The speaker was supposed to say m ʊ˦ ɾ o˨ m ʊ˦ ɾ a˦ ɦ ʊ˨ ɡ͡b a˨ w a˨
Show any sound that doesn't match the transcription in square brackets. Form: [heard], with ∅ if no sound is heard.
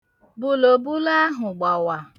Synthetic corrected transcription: [b] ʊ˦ [l] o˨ [b] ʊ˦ [l] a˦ ɦ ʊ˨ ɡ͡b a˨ w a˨